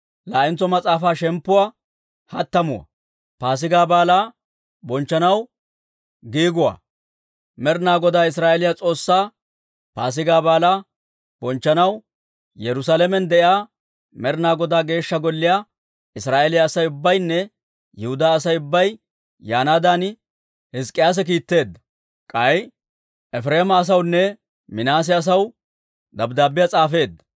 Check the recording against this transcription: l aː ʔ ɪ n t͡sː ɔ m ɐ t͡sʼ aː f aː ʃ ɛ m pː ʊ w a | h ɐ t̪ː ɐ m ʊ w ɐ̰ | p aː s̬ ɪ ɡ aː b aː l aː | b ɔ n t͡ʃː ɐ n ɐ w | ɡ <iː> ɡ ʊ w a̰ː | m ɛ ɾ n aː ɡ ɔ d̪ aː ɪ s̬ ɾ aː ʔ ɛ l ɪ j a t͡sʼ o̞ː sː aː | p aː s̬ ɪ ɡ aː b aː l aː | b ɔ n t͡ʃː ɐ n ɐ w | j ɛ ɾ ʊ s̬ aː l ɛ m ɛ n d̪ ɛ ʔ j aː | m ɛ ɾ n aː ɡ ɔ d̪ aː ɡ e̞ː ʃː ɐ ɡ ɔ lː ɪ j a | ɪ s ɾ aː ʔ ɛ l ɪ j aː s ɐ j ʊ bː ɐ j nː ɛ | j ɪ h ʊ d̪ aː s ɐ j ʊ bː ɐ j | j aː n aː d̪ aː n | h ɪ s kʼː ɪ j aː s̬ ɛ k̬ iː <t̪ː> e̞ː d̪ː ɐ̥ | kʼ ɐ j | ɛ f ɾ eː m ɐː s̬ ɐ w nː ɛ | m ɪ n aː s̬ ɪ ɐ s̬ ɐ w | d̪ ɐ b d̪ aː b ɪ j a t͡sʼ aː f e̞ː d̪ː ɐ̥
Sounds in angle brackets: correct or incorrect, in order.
correct, correct

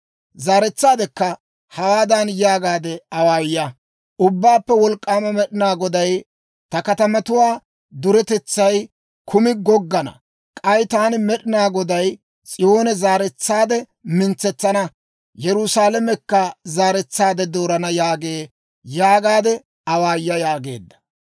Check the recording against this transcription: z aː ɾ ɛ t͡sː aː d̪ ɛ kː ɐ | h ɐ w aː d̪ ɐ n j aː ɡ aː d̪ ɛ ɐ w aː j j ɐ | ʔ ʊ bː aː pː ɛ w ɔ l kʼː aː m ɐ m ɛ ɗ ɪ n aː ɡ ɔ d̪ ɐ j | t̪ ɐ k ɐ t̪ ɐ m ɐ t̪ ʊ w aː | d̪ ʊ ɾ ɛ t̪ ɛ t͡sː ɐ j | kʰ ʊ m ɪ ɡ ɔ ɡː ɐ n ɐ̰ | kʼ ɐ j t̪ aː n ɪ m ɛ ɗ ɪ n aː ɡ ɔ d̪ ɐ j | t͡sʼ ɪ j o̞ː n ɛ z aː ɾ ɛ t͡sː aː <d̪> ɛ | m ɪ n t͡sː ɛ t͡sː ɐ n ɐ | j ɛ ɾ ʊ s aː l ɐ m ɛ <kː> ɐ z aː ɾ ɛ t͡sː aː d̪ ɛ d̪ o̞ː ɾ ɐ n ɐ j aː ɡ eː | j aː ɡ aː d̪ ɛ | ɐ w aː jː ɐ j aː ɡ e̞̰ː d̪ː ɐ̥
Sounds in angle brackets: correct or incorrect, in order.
correct, correct

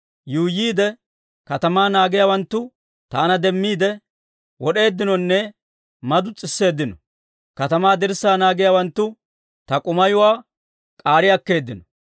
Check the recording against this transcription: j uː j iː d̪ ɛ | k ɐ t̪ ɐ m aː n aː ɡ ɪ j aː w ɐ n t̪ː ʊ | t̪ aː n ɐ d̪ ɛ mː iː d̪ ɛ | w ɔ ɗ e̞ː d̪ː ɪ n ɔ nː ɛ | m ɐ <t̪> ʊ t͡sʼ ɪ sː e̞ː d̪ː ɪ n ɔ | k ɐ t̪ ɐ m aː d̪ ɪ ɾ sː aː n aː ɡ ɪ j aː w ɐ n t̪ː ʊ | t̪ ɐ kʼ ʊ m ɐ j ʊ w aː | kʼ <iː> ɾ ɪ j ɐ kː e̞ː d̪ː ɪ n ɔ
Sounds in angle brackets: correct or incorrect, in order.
incorrect: d̪, incorrect: aː

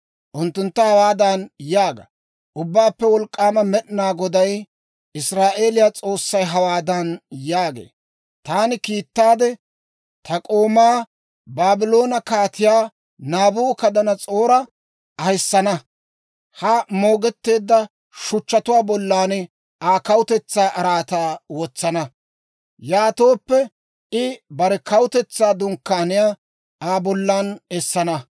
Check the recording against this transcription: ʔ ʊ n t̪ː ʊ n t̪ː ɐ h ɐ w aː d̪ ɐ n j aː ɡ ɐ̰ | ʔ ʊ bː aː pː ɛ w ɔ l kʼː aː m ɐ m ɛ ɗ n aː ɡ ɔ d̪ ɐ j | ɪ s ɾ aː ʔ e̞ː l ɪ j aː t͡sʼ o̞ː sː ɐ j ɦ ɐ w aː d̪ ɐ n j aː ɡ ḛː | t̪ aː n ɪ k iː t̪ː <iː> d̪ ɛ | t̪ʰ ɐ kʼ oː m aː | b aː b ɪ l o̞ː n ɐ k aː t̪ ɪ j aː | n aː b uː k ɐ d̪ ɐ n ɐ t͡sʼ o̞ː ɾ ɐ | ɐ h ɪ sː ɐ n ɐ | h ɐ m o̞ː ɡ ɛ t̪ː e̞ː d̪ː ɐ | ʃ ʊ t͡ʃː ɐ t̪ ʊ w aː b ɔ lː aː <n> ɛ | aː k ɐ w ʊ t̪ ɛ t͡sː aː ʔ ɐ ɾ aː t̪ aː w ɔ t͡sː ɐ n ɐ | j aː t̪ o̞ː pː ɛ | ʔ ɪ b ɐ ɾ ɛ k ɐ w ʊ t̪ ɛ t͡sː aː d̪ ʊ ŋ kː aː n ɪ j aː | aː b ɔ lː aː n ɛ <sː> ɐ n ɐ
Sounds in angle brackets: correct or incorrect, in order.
incorrect: aː, correct, correct

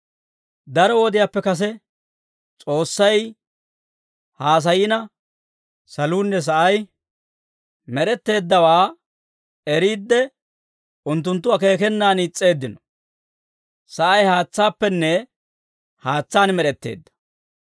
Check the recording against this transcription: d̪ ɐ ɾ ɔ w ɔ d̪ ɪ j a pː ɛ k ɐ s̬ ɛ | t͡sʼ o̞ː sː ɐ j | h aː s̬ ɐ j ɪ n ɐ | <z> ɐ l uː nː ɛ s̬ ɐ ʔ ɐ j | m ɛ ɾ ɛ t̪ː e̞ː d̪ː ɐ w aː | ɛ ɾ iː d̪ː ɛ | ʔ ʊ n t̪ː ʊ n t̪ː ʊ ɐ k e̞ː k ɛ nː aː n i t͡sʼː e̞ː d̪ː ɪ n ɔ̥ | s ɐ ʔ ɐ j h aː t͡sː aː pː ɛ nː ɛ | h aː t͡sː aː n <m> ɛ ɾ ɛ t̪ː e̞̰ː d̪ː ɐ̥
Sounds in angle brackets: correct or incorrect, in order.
incorrect: s, correct

